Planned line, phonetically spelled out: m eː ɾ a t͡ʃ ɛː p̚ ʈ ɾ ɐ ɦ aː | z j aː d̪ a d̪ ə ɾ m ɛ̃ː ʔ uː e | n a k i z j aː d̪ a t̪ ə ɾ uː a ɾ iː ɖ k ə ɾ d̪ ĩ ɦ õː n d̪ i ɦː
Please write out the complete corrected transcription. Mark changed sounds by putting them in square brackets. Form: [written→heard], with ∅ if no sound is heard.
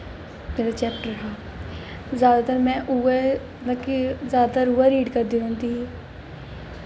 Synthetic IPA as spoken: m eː ɾ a t͡ʃ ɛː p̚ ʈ ɾ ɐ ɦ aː | z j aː d̪ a [d̪→t̪] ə ɾ m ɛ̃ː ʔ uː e | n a k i z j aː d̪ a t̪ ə ɾ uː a ɾ iː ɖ k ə ɾ d̪ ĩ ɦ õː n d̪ i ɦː